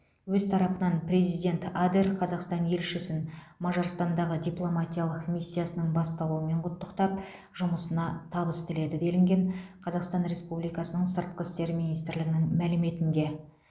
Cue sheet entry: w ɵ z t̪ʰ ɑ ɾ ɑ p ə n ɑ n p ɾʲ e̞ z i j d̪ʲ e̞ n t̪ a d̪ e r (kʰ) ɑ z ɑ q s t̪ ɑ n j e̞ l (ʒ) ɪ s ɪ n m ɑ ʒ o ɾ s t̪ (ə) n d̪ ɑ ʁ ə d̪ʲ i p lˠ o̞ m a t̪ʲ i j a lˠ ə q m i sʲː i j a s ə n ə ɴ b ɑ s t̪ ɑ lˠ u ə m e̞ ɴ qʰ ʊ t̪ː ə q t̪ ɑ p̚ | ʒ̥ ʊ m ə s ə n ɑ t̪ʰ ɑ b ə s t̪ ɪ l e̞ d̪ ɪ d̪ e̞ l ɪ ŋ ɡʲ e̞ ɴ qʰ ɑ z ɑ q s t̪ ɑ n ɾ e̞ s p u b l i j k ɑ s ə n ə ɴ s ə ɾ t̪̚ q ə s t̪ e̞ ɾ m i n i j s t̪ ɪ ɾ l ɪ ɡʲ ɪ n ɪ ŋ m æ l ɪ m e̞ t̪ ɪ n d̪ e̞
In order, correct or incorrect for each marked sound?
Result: incorrect: qʰ, incorrect: ʃ, incorrect: ɑ

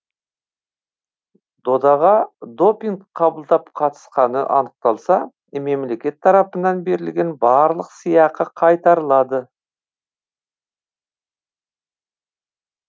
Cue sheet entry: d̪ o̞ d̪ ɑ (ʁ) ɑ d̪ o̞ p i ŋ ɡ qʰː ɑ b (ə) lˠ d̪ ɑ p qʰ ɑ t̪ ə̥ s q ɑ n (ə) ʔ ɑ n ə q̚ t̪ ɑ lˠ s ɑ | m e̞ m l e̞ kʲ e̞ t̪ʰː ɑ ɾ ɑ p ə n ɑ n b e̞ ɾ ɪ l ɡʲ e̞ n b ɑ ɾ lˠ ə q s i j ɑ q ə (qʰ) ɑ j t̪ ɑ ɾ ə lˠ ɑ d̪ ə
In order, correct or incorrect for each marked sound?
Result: correct, correct, correct, correct

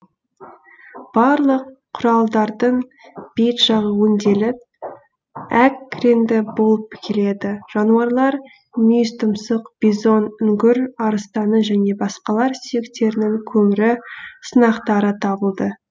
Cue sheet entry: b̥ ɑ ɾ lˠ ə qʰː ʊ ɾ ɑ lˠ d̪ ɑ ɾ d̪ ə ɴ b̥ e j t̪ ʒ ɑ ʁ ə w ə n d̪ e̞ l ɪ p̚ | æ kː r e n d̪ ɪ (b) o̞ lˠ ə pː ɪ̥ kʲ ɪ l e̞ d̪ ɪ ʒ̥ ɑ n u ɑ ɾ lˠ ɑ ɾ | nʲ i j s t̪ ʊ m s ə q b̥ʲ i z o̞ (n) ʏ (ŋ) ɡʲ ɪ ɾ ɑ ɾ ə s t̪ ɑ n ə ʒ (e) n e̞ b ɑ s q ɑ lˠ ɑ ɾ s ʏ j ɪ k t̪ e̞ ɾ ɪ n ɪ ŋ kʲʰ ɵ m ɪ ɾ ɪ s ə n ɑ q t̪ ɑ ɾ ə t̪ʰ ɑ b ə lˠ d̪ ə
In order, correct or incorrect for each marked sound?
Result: correct, correct, correct, incorrect: æ

